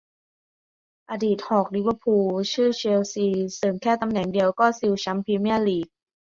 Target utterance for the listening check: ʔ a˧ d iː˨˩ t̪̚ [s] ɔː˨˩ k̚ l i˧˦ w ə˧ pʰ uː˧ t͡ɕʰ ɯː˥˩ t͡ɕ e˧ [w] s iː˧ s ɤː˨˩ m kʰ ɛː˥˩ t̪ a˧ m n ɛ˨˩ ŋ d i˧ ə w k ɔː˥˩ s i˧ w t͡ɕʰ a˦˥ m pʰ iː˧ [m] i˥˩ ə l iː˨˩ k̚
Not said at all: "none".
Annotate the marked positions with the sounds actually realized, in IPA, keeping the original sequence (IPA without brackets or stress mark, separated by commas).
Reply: h, w, m